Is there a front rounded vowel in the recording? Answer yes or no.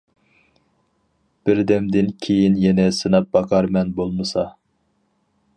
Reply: no